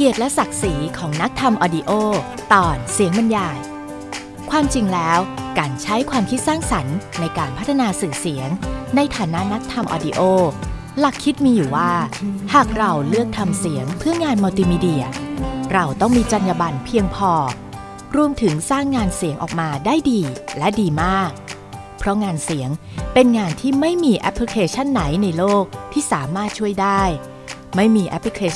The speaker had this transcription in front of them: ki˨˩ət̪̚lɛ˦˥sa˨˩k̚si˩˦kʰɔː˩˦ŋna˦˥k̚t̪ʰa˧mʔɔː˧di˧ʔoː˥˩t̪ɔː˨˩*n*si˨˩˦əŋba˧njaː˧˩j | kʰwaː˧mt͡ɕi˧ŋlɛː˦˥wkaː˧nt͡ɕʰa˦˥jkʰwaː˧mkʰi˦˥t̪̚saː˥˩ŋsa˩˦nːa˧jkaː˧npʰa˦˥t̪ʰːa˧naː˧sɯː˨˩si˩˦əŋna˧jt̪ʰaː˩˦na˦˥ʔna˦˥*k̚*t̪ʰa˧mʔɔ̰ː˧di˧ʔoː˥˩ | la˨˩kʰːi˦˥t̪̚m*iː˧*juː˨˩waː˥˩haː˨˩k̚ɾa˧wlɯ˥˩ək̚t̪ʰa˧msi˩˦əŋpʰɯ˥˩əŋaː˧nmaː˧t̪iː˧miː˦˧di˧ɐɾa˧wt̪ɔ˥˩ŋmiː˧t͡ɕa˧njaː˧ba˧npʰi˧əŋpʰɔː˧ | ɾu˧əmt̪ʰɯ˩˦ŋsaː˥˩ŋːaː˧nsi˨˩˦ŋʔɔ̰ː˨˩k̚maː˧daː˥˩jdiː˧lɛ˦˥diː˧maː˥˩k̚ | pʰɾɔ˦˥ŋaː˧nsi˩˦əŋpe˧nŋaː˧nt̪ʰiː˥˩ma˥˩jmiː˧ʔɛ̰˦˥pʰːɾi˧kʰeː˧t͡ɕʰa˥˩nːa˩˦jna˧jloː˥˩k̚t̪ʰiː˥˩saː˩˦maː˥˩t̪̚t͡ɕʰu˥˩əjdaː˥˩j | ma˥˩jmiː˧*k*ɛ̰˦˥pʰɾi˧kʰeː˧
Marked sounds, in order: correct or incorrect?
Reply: correct, correct, correct, incorrect

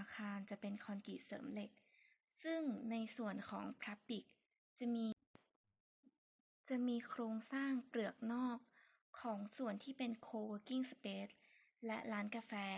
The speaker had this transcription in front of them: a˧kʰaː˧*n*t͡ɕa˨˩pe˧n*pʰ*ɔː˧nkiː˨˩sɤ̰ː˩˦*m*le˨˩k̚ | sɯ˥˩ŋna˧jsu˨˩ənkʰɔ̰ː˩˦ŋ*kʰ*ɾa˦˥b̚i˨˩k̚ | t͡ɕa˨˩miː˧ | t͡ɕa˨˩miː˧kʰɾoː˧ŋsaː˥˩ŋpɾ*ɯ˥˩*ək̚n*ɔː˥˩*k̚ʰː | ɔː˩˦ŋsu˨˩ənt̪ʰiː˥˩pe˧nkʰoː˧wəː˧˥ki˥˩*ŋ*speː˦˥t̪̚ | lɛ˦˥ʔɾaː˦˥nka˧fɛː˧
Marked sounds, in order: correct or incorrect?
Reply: correct, incorrect, correct, incorrect, incorrect, correct, correct

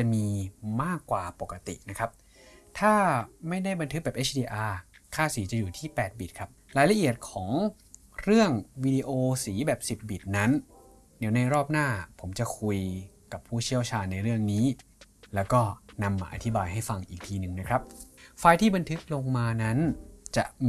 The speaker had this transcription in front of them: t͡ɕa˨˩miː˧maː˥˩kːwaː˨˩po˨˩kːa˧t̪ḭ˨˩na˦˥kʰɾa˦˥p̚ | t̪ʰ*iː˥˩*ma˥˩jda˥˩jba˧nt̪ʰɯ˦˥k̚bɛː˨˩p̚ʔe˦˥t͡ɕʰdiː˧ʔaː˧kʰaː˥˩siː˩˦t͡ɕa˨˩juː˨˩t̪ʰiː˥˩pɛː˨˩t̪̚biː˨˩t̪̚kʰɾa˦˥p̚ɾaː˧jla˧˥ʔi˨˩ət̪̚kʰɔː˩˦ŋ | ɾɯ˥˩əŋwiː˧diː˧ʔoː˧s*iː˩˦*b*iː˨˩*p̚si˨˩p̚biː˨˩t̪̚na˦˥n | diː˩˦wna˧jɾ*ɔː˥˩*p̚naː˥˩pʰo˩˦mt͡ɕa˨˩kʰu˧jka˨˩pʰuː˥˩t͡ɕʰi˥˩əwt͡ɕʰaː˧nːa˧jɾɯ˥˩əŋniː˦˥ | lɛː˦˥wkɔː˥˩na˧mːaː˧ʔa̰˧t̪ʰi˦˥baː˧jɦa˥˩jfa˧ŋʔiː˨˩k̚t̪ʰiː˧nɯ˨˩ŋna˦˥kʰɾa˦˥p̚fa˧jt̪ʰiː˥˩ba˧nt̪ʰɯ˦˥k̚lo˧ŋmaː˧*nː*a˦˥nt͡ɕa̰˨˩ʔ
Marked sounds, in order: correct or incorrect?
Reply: incorrect, correct, incorrect, correct, incorrect

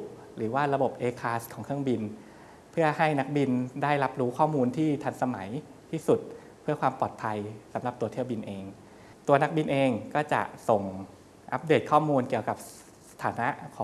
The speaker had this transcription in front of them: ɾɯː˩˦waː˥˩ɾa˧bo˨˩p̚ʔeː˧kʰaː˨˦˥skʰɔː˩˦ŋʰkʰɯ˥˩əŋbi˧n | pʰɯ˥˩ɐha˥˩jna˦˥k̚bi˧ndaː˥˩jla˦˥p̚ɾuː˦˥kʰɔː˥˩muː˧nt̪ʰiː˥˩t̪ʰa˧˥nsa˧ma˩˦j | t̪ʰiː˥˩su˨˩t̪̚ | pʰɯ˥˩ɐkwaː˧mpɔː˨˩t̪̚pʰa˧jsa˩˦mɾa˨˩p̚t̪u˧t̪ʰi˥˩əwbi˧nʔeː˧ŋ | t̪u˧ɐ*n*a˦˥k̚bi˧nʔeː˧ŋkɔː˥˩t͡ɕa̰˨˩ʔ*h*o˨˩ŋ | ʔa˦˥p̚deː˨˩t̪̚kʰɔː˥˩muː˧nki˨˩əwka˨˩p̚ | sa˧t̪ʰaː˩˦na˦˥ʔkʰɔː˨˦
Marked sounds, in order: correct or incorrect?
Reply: correct, incorrect

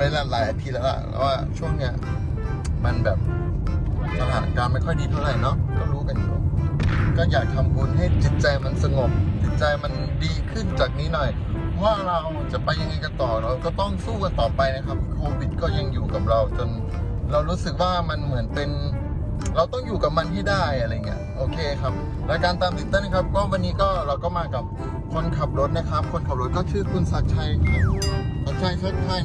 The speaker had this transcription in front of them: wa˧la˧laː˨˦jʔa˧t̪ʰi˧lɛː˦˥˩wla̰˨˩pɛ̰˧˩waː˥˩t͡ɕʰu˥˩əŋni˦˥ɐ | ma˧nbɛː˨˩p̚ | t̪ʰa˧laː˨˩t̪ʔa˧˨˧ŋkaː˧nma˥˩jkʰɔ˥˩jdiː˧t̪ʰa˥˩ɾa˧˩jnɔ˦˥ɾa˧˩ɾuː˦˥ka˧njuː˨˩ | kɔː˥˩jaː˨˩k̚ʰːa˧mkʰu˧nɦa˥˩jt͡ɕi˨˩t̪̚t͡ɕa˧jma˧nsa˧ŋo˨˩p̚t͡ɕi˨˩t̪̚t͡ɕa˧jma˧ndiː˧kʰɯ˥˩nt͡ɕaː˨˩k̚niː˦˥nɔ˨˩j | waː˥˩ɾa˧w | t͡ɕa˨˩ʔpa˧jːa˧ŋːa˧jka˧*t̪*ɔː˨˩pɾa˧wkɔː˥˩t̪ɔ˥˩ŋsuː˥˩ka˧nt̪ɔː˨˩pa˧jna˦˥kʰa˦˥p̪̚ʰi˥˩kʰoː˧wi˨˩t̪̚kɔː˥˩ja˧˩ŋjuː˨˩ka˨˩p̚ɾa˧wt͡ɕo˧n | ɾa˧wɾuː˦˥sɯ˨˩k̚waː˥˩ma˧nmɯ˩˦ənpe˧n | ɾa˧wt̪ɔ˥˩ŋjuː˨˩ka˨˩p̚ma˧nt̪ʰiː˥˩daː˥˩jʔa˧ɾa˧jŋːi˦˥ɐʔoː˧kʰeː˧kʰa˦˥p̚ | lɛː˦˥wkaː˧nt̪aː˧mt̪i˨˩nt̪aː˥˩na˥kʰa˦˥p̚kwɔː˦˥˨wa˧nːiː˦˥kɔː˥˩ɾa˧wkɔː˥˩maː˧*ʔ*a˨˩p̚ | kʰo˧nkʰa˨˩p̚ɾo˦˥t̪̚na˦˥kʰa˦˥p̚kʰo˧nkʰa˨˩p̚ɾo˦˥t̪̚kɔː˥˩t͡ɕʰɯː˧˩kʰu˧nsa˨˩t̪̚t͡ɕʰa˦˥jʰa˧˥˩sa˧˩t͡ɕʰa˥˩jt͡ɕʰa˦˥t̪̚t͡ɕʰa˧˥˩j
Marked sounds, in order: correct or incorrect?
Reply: correct, incorrect

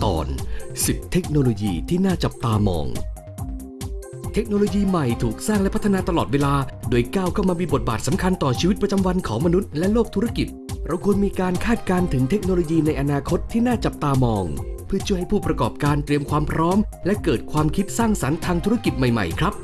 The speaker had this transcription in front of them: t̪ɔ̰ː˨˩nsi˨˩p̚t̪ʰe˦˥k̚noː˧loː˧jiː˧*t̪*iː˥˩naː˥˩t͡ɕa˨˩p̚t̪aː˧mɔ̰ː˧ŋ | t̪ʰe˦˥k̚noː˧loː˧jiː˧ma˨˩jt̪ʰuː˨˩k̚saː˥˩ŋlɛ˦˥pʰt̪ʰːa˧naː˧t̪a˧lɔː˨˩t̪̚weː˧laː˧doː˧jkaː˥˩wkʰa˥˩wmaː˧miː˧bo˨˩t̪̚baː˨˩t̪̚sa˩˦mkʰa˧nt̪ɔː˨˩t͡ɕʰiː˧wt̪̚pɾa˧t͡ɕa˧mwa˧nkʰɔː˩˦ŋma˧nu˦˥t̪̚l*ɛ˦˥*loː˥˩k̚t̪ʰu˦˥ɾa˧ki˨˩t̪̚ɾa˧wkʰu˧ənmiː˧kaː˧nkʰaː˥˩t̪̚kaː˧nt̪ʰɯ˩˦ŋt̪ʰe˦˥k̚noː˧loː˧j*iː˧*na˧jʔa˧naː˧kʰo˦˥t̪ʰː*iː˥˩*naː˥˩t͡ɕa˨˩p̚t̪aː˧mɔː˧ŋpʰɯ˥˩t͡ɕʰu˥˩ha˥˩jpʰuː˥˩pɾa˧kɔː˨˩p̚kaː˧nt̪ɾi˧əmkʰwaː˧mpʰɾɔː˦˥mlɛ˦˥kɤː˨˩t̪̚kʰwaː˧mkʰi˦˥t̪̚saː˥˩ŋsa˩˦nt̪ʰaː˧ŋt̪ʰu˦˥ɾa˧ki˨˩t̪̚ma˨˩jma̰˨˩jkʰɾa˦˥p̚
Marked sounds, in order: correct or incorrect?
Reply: incorrect, correct, correct, correct

